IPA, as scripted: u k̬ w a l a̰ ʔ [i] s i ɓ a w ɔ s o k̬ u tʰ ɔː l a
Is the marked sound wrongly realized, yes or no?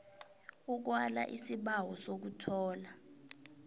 no